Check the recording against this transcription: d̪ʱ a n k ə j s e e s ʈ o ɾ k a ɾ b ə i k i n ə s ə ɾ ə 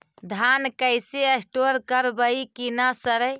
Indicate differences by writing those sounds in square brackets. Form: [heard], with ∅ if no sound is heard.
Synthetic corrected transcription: d̪ʱ a n k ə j s e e s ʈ o ɾ k [ə] ɾ b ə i k i n [a] s ə ɾ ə